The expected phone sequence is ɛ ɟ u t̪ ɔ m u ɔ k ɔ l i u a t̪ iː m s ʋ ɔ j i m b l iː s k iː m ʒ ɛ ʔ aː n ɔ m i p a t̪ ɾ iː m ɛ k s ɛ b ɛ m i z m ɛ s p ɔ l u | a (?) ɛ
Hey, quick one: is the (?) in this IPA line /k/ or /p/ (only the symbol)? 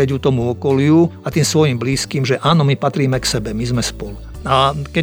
k